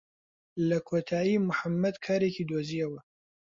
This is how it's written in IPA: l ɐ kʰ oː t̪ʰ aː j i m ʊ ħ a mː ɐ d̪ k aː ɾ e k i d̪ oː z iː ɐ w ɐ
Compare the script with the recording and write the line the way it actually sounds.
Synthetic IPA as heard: l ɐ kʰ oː t̪ʰ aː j i m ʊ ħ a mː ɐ d̪ kʰ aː ɾ e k i d̪ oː z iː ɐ w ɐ